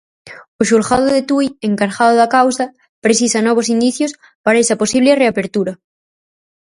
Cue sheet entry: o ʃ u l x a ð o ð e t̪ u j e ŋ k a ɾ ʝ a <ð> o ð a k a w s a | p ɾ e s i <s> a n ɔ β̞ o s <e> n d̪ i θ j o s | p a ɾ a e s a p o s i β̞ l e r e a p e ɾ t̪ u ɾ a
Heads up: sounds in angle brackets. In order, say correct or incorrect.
correct, correct, incorrect: i

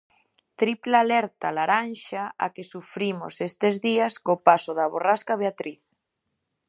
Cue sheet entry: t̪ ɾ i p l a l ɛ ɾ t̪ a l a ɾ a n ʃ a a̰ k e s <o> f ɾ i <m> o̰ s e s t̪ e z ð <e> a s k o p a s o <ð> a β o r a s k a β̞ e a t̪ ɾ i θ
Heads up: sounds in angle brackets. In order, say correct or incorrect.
incorrect: u, correct, incorrect: i, correct

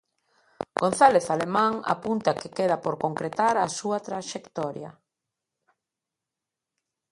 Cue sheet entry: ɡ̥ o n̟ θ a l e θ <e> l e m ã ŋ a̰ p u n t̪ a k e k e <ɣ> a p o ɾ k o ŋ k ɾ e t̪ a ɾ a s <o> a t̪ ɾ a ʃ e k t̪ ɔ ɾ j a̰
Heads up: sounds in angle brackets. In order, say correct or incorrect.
incorrect: a, incorrect: ð, incorrect: u

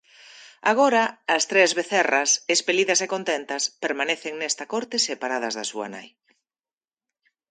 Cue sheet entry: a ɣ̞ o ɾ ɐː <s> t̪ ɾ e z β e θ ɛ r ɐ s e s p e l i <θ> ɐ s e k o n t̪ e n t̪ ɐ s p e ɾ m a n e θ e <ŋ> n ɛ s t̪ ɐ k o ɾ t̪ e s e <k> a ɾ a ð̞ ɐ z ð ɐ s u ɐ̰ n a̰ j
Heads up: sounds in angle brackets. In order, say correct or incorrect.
correct, incorrect: ð, correct, incorrect: p

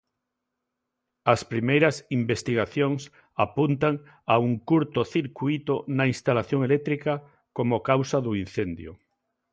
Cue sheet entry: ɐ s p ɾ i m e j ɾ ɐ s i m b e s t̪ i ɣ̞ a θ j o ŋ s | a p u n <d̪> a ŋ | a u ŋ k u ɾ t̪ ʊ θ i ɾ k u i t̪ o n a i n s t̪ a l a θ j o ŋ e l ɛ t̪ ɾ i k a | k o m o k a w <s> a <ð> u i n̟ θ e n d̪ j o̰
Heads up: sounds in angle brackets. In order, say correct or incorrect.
incorrect: t̪, correct, correct

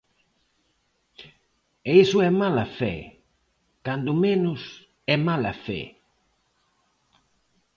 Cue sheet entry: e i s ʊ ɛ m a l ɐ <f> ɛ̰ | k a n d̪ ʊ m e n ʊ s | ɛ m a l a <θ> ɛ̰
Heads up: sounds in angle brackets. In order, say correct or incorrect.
correct, incorrect: f

